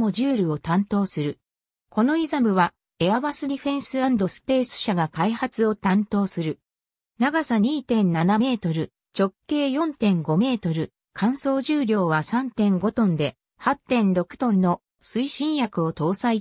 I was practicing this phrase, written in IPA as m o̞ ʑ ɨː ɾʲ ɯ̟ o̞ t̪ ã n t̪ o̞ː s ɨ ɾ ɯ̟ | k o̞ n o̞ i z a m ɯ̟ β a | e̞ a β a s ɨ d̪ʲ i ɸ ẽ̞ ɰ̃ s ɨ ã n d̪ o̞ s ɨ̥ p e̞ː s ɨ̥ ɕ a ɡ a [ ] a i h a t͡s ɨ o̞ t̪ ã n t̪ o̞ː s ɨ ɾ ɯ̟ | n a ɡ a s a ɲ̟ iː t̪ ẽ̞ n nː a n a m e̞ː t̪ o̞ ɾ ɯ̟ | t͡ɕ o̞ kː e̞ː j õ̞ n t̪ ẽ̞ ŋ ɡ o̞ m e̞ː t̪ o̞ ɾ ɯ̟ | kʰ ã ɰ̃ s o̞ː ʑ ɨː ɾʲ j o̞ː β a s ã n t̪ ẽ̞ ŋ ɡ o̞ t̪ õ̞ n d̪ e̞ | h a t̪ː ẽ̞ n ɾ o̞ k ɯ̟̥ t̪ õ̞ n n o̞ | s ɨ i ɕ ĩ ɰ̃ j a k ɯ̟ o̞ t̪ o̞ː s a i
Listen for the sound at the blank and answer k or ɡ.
k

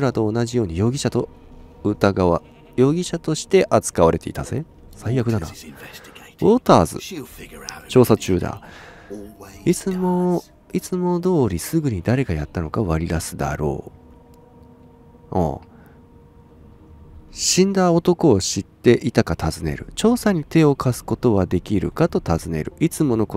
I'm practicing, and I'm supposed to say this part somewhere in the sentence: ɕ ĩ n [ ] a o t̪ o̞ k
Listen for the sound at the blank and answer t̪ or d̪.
d̪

